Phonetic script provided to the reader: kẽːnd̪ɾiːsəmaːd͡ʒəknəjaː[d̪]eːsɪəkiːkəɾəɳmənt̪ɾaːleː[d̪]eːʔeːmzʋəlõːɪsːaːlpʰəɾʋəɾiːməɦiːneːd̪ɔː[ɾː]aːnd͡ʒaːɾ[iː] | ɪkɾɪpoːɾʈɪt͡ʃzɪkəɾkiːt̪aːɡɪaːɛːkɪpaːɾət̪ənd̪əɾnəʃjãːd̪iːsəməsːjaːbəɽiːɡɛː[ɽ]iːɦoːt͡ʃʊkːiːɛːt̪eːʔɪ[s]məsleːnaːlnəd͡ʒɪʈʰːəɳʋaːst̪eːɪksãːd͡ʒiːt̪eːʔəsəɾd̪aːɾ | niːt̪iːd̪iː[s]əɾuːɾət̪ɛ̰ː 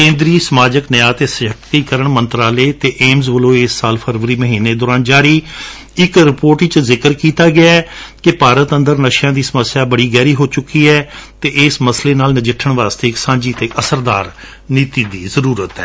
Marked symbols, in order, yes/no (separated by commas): no, no, no, yes, no, yes, no